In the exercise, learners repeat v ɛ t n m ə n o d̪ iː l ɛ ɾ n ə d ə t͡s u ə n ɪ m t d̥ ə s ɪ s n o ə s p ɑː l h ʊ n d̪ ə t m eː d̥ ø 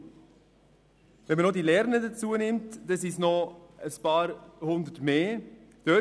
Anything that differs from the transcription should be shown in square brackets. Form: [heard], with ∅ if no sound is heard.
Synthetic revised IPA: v ɛ [∅] n m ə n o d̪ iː l ɛ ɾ n ə d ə t͡s u ə n ɪ m t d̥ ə s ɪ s n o ə s p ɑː [ɾ] h ʊ n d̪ ə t m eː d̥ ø